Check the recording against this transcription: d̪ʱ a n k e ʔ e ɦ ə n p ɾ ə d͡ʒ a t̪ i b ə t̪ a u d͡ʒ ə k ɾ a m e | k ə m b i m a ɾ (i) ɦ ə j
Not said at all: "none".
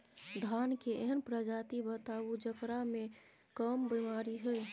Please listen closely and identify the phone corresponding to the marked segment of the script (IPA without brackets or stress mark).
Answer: i